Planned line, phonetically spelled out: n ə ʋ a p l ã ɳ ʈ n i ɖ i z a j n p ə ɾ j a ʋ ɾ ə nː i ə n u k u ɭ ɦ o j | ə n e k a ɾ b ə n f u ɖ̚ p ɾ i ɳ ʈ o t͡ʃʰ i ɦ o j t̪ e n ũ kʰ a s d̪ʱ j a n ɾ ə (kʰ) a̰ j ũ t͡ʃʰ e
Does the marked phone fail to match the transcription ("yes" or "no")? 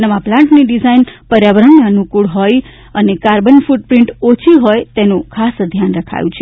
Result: no